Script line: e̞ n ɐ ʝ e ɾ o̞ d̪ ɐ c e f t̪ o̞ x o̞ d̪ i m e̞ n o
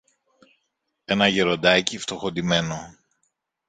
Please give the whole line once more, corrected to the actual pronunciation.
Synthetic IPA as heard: e̞ n ɐ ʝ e ɾ o̞ d̪ ɐ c i f t̪ o̞ x o̞ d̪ i m e̞ n o